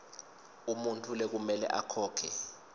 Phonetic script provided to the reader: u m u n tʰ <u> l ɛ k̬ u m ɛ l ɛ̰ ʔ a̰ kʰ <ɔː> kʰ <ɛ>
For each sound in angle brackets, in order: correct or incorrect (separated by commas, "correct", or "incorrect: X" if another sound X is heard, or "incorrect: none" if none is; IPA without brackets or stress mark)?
correct, correct, correct